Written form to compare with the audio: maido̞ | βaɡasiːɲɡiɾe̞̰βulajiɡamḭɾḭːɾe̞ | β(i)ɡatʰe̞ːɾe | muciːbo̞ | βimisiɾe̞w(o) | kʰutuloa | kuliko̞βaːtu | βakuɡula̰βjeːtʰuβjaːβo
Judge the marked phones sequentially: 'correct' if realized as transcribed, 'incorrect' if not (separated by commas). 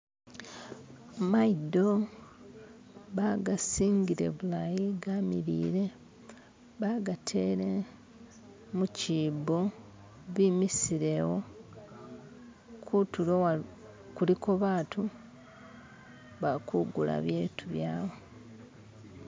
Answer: incorrect, correct